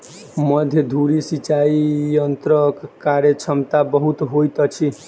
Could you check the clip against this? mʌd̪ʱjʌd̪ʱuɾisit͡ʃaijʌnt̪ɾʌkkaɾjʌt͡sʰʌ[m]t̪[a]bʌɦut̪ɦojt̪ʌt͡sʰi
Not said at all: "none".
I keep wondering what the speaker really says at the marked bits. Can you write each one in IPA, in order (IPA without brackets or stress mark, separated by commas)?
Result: m, a